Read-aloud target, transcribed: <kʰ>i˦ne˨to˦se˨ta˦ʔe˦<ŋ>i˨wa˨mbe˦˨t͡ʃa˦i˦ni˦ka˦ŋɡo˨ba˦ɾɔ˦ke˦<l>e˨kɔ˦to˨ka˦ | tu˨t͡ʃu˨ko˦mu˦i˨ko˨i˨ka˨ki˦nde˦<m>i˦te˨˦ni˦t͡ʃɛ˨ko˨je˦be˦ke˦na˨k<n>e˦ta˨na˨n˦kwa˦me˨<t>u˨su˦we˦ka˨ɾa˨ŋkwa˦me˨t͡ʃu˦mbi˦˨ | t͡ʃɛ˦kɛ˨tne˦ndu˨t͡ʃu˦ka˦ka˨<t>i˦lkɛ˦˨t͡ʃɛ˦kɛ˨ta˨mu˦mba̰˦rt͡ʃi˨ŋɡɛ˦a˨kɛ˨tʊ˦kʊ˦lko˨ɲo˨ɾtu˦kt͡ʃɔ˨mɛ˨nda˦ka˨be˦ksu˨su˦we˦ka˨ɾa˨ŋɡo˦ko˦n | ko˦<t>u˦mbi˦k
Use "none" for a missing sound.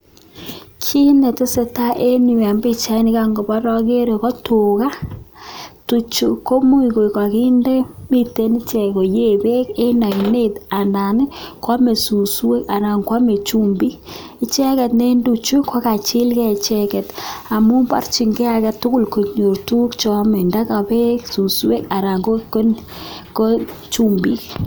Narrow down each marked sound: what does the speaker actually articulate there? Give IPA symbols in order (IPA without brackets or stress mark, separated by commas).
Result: kʰ, n, ɾ, m, n, s, t͡ʃ, t͡ʃ